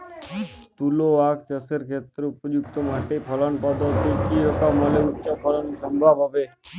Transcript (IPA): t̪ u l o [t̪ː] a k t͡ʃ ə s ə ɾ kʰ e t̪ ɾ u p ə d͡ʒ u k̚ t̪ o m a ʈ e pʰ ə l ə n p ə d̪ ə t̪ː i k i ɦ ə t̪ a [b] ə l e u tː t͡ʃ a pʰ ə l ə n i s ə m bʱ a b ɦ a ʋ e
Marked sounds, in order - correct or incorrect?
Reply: incorrect: none, incorrect: m

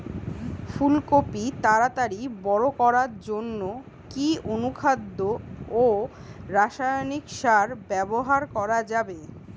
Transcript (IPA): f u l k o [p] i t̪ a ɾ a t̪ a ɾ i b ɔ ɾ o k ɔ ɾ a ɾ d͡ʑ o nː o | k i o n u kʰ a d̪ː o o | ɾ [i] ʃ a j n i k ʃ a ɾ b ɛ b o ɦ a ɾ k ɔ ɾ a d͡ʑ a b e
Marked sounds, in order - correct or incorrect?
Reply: correct, incorrect: a

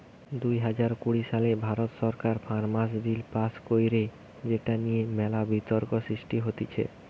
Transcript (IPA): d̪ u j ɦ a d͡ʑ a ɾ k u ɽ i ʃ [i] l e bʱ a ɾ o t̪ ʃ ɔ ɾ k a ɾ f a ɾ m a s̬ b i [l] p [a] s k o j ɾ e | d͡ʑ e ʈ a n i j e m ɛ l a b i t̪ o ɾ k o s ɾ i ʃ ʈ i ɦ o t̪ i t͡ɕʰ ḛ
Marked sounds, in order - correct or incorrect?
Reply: incorrect: a, correct, correct

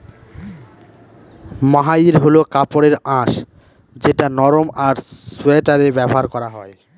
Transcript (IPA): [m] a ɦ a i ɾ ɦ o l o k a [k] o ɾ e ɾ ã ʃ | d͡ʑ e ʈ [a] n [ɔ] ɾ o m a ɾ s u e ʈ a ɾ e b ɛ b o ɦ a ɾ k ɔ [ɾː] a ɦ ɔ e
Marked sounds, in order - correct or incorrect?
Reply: correct, incorrect: p, correct, correct, incorrect: ɾ

